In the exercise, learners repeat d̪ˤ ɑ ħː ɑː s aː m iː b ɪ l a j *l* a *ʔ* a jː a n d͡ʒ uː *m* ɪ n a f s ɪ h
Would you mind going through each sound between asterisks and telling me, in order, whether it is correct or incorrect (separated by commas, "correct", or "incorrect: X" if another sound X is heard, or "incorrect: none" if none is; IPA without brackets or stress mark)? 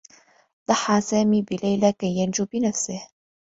correct, incorrect: k, incorrect: b